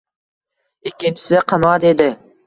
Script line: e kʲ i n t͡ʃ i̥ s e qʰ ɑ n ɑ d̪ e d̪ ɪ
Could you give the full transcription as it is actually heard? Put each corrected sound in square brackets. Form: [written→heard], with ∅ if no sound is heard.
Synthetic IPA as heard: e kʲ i n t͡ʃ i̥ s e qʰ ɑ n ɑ d̪ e d̪ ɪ

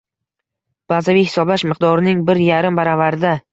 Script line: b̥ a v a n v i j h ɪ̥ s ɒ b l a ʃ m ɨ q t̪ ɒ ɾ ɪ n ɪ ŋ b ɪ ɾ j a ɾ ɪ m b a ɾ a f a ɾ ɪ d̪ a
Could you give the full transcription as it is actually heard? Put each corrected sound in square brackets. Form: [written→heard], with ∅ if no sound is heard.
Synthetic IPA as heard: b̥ a [v→z] a [n→∅] v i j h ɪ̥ s ɒ b l a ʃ m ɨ q [t̪→d̪] ɒ ɾ ɪ n ɪ ŋ b ɪ ɾ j a ɾ ɪ m b a ɾ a [f→v] a ɾ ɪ d̪ a

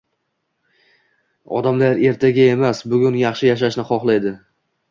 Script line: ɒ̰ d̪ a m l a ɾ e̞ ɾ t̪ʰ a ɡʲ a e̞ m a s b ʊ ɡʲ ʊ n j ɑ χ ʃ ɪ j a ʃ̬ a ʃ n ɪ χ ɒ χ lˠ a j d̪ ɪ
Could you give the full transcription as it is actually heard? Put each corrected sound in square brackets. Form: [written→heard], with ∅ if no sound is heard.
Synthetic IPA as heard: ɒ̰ d̪ a m l a ɾ e̞ ɾ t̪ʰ a ɡʲ a e̞ m a s b ʊ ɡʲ ʊ n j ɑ χ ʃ ɪ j a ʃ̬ a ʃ n ɪ χ ɒ χ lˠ a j d̪ ɪ

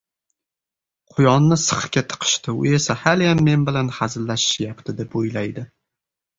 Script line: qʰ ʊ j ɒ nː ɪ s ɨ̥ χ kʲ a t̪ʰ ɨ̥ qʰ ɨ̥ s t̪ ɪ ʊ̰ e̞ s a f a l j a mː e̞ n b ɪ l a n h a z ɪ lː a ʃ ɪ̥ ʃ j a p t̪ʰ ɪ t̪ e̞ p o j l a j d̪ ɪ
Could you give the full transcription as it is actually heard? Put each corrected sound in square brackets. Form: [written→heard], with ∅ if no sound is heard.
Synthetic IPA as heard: qʰ ʊ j ɒ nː ɪ s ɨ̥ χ kʲ a t̪ʰ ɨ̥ qʰ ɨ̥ [s→ʃ] t̪ ɪ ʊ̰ e̞ s a [f→h] a l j a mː e̞ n b ɪ l a n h a z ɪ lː a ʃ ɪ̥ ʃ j a p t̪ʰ ɪ [t̪→d̪] e̞ p o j l a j d̪ ɪ

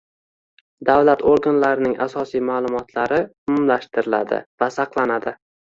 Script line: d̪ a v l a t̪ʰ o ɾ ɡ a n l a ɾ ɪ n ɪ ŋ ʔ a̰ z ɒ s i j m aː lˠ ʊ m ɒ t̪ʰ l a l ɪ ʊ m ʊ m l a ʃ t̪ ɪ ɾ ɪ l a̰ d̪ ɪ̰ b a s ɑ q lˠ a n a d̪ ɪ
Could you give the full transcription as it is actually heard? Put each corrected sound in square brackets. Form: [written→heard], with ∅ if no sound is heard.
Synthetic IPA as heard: d̪ a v l a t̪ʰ o ɾ ɡ a n l a ɾ ɪ n ɪ ŋ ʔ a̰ [z→s] ɒ s i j m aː lˠ ʊ m ɒ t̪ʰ l a [l→ɾ] ɪ ʊ m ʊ m l a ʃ t̪ ɪ ɾ ɪ l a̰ d̪ ɪ̰ [b→v] a s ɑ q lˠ a n a d̪ ɪ

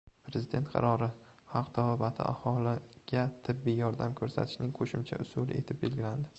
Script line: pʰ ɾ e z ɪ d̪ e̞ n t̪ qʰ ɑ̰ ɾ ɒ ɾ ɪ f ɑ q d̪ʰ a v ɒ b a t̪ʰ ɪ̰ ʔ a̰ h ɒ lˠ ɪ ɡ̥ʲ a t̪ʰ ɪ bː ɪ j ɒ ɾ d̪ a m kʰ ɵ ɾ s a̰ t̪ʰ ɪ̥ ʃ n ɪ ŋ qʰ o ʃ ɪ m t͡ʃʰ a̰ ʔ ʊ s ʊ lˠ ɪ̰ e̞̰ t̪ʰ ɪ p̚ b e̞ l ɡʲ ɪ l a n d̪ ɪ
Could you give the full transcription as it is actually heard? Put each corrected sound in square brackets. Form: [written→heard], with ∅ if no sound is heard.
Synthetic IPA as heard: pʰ ɾ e z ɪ d̪ e̞ n t̪ qʰ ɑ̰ ɾ ɒ ɾ ɪ [f→h] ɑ q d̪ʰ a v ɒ b a t̪ʰ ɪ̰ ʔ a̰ h ɒ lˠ ɪ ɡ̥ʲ a t̪ʰ ɪ bː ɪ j ɒ ɾ d̪ a m kʰ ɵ ɾ s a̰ t̪ʰ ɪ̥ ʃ n ɪ ŋ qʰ o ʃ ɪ m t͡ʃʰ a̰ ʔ ʊ s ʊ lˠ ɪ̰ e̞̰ t̪ʰ ɪ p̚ b e̞ l ɡʲ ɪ l a n d̪ ɪ

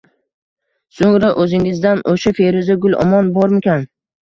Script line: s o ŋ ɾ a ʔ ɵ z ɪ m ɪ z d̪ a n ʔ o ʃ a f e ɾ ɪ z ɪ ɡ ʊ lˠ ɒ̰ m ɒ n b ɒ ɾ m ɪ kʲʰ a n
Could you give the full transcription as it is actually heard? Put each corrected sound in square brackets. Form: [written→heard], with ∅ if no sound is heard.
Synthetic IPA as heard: s o ŋ ɾ a ʔ ɵ z ɪ [m→ŋ] ɪ z d̪ a n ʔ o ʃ a f e ɾ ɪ z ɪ ɡ ʊ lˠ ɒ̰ m ɒ n b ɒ ɾ m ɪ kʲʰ a n

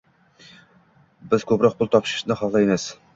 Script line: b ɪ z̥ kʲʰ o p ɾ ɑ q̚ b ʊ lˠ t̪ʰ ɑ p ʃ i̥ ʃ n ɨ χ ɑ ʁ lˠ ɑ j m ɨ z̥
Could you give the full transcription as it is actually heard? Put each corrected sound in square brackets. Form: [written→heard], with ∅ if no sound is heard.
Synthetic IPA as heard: b ɪ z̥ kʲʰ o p ɾ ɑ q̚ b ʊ lˠ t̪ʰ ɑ p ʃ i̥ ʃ n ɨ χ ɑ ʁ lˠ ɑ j m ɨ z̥

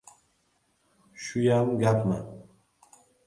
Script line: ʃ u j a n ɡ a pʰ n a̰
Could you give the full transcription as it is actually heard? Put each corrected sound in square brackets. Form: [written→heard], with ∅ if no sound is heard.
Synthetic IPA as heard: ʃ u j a [n→m] ɡ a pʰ [n→m] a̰

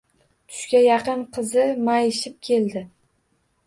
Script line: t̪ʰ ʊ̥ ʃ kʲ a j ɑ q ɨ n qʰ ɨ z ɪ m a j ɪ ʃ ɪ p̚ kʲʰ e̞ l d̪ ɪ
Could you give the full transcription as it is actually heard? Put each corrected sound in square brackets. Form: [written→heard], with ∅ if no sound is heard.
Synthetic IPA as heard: t̪ʰ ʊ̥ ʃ kʲ a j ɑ q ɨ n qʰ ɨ z ɪ m a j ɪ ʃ ɪ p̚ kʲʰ e̞ l d̪ ɪ

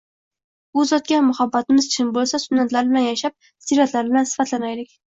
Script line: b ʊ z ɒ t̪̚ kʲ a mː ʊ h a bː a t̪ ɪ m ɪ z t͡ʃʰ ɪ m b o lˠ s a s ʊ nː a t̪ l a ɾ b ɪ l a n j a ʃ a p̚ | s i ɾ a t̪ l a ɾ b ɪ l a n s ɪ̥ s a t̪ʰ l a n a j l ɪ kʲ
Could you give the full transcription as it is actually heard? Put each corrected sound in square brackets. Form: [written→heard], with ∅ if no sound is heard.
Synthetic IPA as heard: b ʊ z ɒ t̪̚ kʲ a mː ʊ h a bː a t̪ ɪ m ɪ z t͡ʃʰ ɪ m b o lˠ s a s ʊ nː a t̪ l a ɾ b ɪ l a n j a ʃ a p̚ | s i ɾ a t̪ l a ɾ b ɪ l a n s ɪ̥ [s→f] a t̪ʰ l a n a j l ɪ kʲ

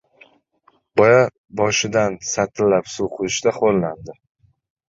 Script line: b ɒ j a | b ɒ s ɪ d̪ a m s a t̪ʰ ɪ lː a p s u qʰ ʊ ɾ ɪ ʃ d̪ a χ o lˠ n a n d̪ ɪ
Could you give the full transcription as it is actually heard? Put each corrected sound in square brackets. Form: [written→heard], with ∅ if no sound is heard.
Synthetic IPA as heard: b ɒ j a | b ɒ [s→ʃ] ɪ d̪ a [m→n] s a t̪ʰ ɪ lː a p s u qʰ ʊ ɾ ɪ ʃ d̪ a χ o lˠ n a n d̪ ɪ

